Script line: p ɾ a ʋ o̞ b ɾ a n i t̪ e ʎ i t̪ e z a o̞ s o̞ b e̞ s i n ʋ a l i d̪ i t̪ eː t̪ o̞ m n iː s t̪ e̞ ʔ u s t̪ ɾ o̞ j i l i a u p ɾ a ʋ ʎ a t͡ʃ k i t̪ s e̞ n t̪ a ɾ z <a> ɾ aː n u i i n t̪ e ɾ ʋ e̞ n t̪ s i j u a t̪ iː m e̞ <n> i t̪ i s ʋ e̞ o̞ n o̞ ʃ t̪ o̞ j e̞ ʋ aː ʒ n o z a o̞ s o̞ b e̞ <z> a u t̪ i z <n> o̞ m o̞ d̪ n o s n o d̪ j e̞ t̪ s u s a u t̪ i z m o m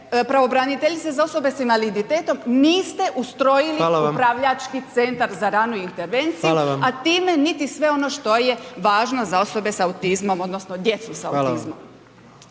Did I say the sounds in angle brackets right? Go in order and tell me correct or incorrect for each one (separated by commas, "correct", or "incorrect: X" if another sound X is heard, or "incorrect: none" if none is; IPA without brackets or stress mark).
correct, correct, incorrect: s, incorrect: m